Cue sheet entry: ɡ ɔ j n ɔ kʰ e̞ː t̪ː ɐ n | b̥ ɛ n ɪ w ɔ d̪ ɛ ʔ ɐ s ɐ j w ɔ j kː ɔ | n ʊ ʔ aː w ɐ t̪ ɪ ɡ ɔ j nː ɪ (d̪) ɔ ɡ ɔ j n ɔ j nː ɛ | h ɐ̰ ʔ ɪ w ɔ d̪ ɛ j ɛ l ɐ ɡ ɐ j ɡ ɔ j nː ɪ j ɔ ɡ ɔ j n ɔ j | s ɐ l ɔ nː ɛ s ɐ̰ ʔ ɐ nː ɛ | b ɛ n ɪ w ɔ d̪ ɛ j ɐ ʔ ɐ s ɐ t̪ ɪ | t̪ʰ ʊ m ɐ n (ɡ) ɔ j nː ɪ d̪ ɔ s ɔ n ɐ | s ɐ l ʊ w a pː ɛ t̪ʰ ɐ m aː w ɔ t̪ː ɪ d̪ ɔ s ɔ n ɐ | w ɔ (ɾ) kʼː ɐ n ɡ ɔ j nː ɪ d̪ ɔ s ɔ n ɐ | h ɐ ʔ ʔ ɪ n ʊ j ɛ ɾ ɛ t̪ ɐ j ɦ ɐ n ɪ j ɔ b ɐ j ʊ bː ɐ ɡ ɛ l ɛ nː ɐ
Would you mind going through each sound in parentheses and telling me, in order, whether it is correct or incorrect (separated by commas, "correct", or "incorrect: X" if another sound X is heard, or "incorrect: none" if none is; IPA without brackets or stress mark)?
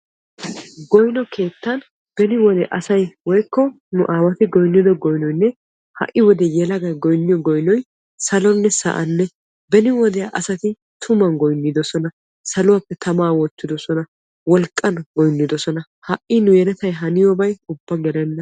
correct, correct, incorrect: l